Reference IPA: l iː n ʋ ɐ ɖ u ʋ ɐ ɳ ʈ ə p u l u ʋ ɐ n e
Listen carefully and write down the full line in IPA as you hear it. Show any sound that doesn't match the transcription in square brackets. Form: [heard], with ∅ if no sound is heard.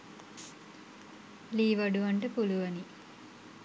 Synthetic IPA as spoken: l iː [∅] ʋ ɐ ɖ u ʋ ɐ ɳ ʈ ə p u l u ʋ ɐ n [i]